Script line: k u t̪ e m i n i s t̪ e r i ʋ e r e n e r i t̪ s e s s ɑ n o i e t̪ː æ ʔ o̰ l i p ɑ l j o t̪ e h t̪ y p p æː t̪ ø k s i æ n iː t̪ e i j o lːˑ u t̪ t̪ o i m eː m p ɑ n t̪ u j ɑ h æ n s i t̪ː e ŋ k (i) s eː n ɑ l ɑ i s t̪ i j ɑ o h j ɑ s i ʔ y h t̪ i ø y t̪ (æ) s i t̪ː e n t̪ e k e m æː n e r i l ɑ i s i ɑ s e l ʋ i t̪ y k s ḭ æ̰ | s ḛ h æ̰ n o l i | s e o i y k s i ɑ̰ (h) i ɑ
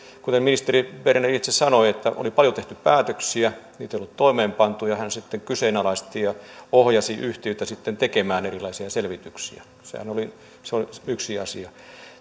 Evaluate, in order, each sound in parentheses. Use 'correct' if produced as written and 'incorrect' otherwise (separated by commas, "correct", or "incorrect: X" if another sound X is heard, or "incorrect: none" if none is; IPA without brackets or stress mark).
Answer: incorrect: y, correct, incorrect: s